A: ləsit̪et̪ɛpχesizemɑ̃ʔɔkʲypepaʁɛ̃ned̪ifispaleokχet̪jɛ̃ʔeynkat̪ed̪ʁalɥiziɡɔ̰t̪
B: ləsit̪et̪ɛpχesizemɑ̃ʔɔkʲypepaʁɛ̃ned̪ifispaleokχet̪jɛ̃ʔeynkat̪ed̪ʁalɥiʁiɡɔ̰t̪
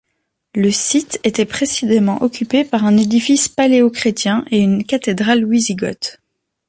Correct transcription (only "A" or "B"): A